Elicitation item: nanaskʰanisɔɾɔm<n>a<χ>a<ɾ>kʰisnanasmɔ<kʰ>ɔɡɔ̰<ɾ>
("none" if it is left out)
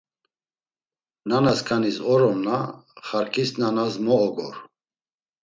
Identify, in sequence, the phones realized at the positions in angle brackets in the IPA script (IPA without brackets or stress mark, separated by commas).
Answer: n, χ, ɾ, none, ɾ